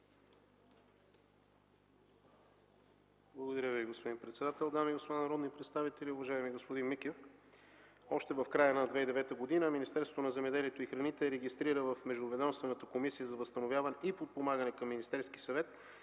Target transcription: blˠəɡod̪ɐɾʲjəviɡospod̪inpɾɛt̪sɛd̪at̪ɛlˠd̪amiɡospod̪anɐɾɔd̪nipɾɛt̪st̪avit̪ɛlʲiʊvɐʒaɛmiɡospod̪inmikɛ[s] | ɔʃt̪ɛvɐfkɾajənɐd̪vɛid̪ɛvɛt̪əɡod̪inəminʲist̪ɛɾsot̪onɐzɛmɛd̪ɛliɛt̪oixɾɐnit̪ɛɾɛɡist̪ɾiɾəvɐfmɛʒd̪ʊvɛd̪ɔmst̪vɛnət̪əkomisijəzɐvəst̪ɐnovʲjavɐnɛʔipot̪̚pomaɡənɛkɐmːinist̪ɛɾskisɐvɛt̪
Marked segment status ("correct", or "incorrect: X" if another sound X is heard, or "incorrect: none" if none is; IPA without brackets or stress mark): incorrect: f